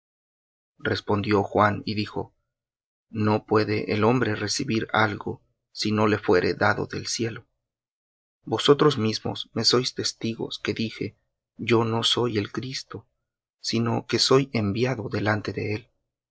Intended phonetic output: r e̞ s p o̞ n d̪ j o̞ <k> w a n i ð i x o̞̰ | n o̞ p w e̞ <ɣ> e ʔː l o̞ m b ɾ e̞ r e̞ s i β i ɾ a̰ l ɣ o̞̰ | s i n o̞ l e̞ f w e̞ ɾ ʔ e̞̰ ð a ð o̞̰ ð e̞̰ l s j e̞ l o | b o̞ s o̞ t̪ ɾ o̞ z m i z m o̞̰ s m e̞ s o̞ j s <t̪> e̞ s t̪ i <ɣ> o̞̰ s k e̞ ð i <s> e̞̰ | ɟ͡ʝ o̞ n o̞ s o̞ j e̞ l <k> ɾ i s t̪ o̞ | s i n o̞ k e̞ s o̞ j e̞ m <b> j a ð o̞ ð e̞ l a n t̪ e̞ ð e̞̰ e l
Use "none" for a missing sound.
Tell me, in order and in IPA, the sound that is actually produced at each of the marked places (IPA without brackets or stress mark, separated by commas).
x, ð, t̪, ɣ, x, k, b